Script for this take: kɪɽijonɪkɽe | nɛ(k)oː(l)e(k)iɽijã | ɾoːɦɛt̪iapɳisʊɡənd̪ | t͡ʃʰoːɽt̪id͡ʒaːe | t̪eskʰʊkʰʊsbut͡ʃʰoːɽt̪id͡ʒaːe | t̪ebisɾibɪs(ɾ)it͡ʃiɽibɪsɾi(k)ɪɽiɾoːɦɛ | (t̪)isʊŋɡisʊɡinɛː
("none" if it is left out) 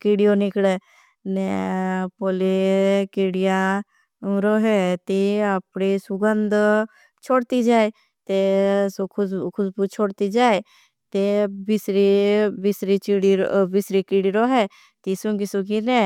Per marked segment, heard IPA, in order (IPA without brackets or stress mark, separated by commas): p, l, k, ɾ, k, t̪